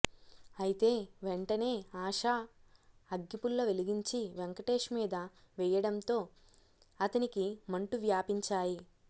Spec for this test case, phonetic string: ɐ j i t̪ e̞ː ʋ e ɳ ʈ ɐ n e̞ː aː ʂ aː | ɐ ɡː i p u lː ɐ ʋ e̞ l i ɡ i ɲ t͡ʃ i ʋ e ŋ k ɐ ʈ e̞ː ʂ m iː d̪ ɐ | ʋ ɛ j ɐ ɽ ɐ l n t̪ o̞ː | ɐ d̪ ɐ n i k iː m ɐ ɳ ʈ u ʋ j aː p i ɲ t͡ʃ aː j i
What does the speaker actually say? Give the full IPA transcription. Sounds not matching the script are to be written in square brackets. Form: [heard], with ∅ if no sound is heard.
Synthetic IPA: ɐ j i t̪ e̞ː ʋ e ɳ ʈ ɐ n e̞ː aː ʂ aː | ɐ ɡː i p u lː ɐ ʋ e̞ l i ɡ i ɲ t͡ʃ i ʋ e ŋ k ɐ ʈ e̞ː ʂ m iː d̪ ɐ | ʋ ɛ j ɐ ɽ ɐ [∅] n t̪ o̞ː | ɐ [t̪] ɐ n i k [i] m ɐ ɳ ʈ u ʋ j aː p i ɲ t͡ʃ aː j i